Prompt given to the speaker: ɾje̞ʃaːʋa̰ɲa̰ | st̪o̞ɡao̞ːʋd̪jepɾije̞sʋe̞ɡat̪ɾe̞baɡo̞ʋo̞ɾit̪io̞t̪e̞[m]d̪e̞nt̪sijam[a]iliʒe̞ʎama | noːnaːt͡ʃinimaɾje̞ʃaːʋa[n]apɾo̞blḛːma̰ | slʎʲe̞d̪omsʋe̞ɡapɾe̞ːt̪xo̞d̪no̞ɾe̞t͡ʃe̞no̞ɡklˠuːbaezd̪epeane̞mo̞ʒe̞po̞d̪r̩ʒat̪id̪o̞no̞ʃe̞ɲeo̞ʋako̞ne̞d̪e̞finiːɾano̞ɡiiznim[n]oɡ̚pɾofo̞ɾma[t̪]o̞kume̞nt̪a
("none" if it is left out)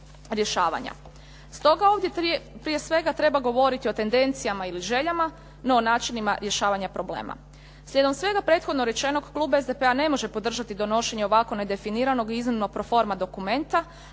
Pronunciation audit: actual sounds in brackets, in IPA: n, a, ɲ, n, d̪

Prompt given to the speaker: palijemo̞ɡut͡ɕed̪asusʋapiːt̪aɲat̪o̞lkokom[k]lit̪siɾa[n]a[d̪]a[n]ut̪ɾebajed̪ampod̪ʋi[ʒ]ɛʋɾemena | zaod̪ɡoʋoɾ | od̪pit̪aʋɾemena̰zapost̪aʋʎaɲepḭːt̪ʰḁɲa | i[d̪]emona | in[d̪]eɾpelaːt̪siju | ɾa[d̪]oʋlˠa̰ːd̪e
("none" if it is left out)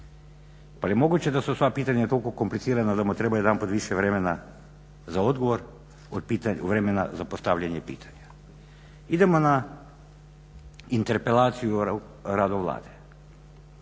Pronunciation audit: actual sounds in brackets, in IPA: p, n, d̪, m, ʃ, d̪, t̪, d̪

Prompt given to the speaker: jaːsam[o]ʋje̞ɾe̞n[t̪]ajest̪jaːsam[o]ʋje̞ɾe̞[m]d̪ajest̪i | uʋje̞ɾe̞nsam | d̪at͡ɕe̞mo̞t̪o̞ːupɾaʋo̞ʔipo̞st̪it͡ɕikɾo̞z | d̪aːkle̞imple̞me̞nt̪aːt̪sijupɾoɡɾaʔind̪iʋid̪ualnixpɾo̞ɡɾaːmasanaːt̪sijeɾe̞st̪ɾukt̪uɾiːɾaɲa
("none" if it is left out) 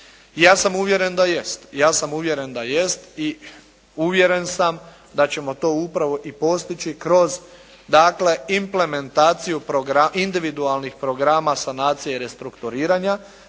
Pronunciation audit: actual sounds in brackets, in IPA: u, d̪, u, n

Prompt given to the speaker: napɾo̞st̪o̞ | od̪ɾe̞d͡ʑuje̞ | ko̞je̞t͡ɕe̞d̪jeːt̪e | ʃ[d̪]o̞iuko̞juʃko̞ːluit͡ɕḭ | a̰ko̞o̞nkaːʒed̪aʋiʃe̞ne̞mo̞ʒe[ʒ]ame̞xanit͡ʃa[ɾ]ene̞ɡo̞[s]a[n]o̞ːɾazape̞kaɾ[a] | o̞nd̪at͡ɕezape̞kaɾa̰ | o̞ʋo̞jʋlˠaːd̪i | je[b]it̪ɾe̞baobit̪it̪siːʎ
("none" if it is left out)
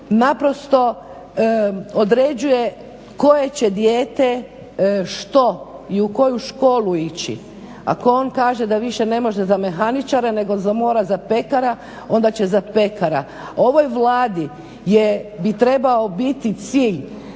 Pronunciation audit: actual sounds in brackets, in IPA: t̪, z, ɾ, z, m, a, b

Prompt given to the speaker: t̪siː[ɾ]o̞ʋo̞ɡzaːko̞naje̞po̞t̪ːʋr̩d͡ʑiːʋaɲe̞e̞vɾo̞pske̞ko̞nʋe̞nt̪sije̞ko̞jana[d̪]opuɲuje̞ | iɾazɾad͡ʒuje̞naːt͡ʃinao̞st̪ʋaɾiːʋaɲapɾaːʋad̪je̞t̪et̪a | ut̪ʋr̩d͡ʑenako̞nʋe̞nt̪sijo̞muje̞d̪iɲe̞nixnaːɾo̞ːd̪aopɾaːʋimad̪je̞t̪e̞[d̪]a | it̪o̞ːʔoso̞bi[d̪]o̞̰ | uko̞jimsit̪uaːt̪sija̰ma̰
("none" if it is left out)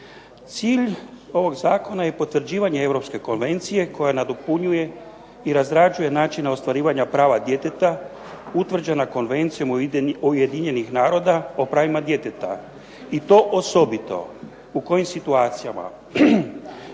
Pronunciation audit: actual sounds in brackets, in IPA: ʎ, d̪, t̪, t̪

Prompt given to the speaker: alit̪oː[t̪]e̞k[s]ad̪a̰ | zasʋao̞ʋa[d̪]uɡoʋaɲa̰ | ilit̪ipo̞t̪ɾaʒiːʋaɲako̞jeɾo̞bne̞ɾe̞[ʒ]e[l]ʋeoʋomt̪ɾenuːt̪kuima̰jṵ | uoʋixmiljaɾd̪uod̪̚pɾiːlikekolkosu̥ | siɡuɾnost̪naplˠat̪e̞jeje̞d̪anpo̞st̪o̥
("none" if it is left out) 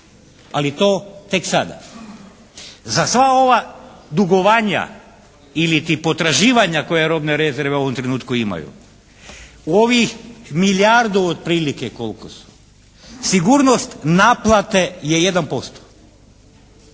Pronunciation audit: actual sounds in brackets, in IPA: t̪, s, d̪, z, ɾ

